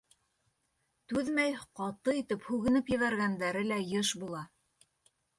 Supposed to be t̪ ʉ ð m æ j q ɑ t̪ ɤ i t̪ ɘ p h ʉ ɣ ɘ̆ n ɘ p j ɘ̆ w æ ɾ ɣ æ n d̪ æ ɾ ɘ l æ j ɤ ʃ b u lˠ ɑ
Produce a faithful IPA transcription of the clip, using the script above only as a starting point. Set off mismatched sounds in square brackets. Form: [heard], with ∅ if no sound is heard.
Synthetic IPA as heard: t̪ ʉ ð m æ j q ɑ t̪ ɤ i t̪ ɘ p h ʉ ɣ ɘ̆ n ɘ p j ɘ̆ [β] æ ɾ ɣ æ n d̪ æ ɾ ɘ l æ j ɤ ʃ b u lˠ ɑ